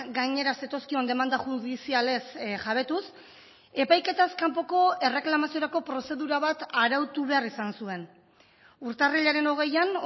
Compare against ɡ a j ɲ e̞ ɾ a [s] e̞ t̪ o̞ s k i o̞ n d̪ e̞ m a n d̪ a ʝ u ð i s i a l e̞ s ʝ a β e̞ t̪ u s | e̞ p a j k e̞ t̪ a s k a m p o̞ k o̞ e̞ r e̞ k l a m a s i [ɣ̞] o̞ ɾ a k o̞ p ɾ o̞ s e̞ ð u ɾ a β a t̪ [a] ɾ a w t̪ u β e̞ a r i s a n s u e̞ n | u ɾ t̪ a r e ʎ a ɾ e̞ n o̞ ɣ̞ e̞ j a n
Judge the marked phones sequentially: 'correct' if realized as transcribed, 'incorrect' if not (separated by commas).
correct, incorrect, correct